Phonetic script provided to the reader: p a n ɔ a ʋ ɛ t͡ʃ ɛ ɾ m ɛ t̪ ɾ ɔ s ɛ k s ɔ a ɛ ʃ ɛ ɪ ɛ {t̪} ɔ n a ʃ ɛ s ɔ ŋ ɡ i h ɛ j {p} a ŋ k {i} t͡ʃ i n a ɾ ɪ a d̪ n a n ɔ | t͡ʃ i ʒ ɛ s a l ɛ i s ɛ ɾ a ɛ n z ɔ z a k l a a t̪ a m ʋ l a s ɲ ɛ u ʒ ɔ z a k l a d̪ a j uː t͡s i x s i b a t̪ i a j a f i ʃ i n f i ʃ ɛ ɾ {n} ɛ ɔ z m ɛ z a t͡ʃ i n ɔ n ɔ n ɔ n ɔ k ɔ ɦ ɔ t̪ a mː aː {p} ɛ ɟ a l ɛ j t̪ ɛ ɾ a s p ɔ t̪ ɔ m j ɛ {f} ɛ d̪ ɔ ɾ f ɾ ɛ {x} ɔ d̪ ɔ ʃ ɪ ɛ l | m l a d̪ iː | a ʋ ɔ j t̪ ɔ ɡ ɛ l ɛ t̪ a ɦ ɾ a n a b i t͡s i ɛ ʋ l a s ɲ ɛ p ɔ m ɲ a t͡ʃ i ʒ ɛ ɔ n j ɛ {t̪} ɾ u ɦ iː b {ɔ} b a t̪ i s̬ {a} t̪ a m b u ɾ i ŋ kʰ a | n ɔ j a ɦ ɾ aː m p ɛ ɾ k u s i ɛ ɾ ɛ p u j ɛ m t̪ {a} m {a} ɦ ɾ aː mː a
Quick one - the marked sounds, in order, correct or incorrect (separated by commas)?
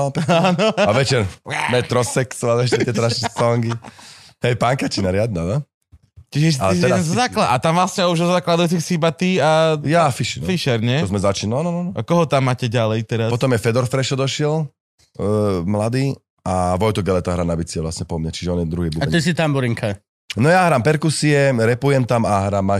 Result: correct, correct, incorrect, incorrect, incorrect, correct, incorrect, incorrect, incorrect, incorrect, correct, correct